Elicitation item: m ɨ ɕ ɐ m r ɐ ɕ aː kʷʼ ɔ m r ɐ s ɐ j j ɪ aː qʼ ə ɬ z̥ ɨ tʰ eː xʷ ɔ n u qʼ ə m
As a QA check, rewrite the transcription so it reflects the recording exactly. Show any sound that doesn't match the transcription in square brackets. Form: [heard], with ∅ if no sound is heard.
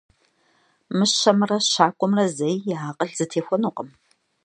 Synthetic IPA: m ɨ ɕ ɐ m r ɐ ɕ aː kʷʼ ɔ m r ɐ [z] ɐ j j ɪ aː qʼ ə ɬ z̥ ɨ tʰ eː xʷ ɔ n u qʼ ə m